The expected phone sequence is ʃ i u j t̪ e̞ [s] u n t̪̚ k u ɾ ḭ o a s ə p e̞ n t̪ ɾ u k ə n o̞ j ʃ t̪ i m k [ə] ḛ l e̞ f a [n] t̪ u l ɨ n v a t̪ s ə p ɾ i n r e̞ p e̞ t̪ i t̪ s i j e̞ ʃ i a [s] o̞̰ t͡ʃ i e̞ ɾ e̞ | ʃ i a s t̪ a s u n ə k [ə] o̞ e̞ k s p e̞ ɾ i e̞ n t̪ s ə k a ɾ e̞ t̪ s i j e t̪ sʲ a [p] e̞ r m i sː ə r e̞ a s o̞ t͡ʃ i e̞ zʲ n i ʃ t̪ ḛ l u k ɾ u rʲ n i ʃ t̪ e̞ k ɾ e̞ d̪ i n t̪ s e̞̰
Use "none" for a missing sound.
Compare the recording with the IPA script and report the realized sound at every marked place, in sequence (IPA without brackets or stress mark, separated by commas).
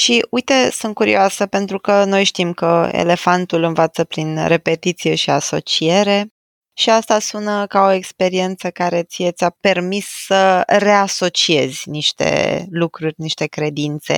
s, ə, n, s, a, p